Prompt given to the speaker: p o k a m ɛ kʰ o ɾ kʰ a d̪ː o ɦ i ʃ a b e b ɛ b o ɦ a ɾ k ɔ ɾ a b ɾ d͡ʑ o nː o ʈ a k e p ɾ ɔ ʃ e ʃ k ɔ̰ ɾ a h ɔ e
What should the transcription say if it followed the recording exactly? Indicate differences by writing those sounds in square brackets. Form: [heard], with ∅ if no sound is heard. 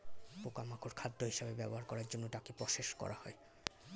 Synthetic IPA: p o k a m [a] kʰ o ɾ kʰ a d̪ː o ɦ i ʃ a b e b ɛ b o ɦ a ɾ k ɔ ɾ a [∅] ɾ d͡ʑ o nː o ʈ a k e p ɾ ɔ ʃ e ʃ k ɔ̰ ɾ a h ɔ e

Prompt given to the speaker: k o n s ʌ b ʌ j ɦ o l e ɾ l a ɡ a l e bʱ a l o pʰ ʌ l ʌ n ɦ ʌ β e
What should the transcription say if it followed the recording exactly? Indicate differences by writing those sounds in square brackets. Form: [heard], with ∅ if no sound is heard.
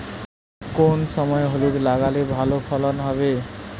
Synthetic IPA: k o n s ʌ [m] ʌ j ɦ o l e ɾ l a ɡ a l e bʱ a l o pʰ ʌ l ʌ n ɦ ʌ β e

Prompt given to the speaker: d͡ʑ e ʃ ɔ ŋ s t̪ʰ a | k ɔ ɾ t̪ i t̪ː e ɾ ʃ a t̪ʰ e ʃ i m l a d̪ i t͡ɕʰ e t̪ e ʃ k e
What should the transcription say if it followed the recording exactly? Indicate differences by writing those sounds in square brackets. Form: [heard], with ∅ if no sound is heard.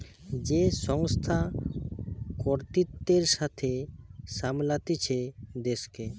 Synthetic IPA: d͡ʑ e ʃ ɔ ŋ s t̪ʰ a | k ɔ ɾ t̪ i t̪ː e ɾ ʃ a t̪ʰ e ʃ [a] m l a [t̪] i t͡ɕʰ e [d̪] e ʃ k e

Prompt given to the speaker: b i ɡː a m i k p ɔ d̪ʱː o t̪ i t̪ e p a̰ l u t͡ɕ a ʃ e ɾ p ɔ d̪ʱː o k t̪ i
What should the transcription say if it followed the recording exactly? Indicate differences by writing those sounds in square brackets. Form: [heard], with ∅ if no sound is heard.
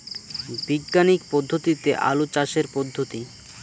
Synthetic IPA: b i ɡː a [n] i k p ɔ d̪ʱː o t̪ i t̪ e [ʔ] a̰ l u t͡ɕ a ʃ e ɾ p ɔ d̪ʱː o [∅] t̪ i

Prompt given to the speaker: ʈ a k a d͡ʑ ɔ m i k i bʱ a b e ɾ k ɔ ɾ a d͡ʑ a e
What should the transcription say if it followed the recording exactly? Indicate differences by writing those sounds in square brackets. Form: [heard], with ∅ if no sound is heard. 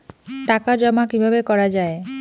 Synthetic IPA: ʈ a k a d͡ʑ ɔ m [a] k i bʱ a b e [∅] k ɔ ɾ a d͡ʑ a e

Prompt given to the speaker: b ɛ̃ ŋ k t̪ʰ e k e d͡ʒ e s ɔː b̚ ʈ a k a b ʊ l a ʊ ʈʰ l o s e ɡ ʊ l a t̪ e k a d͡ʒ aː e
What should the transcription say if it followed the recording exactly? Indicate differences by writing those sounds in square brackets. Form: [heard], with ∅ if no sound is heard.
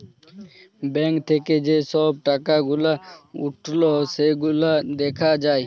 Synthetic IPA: b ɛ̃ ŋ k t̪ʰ e k e d͡ʒ e s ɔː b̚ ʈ a k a [ɡ] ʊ l a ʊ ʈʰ l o s e ɡ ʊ l a [d̪] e [kʰ] a d͡ʒ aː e

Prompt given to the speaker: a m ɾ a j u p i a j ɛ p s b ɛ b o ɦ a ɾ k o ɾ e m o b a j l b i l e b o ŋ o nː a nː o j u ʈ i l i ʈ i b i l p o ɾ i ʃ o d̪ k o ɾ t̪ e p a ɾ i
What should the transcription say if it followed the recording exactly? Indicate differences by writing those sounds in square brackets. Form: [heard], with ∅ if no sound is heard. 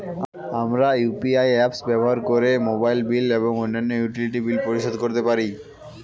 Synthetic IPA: a m ɾ a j u p i a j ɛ p s b ɛ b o ɦ a ɾ k o ɾ e m o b a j l b i l e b o ŋ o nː a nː o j u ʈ i l i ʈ i b i l p o ɾ i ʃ o d̪ k o ɾ t̪ e p a ɾ i

